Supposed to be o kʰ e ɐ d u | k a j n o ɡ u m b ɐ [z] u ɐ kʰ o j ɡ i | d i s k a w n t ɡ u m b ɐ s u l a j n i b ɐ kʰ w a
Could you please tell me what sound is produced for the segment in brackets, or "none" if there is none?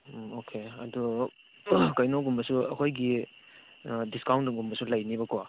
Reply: s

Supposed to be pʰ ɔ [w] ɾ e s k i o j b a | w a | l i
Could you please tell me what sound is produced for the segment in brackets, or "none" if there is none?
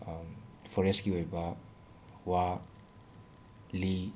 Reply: none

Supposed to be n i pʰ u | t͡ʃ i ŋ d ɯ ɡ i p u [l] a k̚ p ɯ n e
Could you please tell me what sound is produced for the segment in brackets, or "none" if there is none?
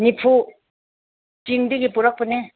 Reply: ɾ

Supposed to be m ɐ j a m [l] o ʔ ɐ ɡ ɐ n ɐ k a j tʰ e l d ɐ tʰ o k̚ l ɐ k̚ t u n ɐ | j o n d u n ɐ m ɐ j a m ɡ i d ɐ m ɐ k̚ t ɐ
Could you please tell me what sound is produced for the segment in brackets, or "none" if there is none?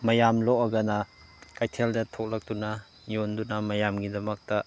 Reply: l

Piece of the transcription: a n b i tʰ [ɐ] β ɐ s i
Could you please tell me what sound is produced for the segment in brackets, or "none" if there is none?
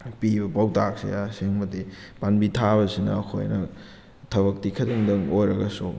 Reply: a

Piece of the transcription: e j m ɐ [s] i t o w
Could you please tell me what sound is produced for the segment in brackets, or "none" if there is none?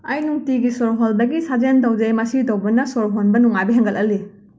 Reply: s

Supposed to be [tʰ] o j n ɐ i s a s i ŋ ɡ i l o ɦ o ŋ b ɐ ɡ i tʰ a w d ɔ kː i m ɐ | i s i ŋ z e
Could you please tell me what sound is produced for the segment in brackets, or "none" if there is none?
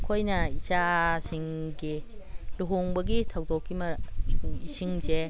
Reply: kʰ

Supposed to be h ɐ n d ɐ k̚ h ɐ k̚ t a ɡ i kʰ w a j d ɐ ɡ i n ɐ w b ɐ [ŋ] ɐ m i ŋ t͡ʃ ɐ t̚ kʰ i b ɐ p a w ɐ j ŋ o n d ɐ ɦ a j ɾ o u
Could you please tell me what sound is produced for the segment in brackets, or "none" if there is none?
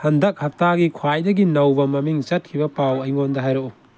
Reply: m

